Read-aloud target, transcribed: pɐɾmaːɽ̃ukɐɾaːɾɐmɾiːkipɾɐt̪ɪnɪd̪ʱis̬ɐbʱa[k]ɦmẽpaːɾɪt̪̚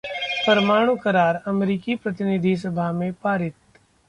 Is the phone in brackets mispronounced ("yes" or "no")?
yes